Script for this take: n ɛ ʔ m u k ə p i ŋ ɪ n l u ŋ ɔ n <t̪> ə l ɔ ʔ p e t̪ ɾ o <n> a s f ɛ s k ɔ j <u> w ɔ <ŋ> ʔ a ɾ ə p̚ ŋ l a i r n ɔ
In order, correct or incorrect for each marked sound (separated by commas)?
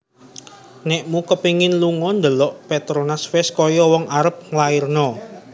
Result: incorrect, correct, incorrect, correct